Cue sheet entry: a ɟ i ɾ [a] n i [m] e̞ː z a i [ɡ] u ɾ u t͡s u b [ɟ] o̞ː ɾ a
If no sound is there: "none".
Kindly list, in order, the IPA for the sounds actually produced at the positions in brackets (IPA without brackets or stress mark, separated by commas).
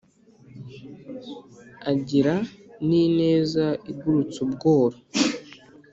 a, n, ɡ, ɡ